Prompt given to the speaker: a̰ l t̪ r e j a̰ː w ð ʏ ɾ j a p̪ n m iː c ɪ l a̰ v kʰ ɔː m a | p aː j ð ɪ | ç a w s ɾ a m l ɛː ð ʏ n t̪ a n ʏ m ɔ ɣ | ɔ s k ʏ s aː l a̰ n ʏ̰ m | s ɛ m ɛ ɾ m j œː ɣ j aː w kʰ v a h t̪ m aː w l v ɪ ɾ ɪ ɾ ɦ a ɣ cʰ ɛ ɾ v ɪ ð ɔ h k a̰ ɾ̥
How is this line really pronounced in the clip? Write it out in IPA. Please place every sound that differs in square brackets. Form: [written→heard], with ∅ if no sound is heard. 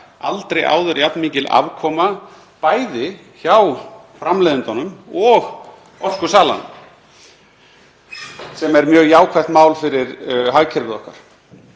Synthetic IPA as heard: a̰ l t̪ [r→ɾ] e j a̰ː w ð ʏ ɾ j a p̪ n m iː c ɪ l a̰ v kʰ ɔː m a | p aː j ð ɪ | ç a w [s→f] ɾ a m l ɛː ð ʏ n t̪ a n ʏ m ɔ ɣ | ɔ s k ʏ s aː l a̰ n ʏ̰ m | s ɛ m ɛ ɾ m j œː ɣ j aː w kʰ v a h t̪ m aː w l [v→f] ɪ ɾ ɪ ɾ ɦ a ɣ cʰ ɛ ɾ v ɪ ð ɔ h k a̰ ɾ̥